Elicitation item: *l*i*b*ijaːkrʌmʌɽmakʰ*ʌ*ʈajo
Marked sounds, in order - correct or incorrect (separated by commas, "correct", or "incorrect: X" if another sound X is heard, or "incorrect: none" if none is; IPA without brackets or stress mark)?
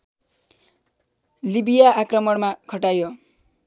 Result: correct, correct, correct